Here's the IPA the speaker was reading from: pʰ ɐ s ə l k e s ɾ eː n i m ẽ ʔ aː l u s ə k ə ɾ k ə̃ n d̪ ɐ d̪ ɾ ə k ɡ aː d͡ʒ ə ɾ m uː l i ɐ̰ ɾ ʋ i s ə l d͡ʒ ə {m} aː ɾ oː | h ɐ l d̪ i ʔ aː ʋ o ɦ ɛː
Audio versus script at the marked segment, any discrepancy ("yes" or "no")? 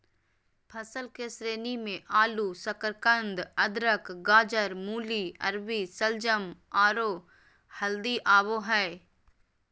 no